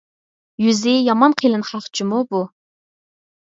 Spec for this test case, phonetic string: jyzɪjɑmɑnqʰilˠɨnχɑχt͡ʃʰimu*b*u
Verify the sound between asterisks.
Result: correct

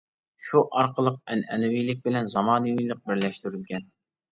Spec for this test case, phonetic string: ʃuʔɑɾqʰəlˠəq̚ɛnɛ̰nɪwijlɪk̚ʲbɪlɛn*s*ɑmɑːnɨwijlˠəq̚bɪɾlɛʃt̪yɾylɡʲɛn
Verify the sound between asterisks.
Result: incorrect: z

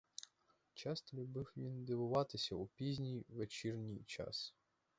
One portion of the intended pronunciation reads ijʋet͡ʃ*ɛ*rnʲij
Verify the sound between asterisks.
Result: incorrect: i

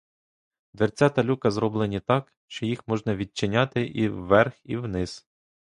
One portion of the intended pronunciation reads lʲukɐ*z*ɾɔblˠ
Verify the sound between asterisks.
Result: correct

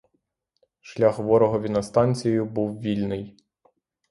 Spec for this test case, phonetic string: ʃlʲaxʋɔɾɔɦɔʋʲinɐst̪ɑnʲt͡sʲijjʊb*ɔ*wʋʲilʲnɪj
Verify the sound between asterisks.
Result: incorrect: u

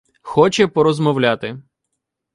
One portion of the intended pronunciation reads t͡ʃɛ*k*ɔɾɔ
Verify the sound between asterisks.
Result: incorrect: p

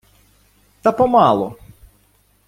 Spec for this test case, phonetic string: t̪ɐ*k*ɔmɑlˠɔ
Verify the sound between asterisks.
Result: incorrect: p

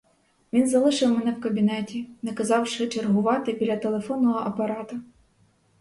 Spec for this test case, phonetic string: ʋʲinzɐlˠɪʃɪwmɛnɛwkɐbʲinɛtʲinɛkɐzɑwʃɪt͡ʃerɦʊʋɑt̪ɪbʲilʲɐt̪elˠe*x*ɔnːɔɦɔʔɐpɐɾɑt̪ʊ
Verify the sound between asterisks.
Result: incorrect: f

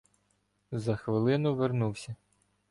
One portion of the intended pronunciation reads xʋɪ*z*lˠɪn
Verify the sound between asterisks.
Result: incorrect: none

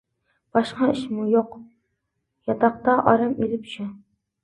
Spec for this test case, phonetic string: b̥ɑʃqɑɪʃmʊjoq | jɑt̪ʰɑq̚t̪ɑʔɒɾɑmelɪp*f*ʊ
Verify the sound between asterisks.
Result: incorrect: ʃ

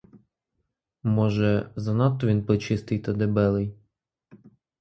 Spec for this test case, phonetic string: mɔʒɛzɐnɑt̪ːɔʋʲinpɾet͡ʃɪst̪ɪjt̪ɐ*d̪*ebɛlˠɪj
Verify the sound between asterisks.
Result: correct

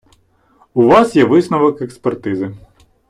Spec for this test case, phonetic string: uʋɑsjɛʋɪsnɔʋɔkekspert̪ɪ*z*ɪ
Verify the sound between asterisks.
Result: correct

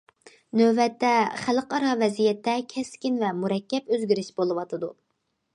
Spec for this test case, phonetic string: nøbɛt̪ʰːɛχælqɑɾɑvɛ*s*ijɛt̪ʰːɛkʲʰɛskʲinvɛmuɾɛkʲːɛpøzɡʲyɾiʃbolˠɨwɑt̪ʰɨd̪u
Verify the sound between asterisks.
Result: incorrect: z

